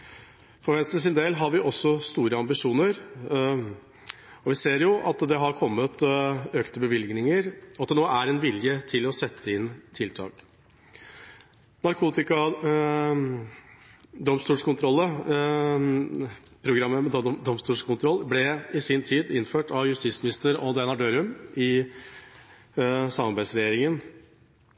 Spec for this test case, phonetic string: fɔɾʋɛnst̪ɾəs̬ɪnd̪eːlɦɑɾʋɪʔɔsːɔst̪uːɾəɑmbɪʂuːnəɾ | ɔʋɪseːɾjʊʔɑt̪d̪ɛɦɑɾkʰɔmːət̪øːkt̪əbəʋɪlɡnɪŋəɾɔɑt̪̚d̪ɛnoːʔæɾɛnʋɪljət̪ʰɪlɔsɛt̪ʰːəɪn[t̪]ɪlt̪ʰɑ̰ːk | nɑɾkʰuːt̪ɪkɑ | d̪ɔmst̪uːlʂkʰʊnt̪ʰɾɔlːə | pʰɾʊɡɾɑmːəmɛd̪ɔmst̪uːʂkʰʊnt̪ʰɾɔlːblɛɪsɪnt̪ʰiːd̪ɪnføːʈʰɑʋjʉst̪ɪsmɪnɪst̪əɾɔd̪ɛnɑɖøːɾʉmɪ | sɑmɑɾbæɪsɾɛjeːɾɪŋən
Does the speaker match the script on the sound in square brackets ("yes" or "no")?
no